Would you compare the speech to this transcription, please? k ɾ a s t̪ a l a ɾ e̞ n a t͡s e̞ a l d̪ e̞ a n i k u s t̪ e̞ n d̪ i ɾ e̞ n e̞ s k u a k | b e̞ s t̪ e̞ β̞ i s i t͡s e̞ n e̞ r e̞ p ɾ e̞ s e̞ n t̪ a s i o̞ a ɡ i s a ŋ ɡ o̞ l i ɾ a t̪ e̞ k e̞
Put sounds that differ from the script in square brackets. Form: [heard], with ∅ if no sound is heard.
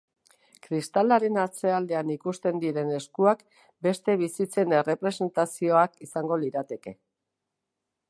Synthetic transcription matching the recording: k ɾ [i] s t̪ a l a ɾ e̞ n a t͡s e̞ a l d̪ e̞ a n i k u s t̪ e̞ n d̪ i ɾ e̞ n e̞ s k u a k | b e̞ s t̪ e̞ β̞ i s i t͡s e̞ n e̞ r e̞ p ɾ e̞ s e̞ n t̪ a s i o̞ a [k] i s a ŋ ɡ o̞ l i ɾ a t̪ e̞ k e̞